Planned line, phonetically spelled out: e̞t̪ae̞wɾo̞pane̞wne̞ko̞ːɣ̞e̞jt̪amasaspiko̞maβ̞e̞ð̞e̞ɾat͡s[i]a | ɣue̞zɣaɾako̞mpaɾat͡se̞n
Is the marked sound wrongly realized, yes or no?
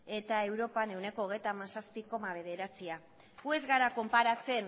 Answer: no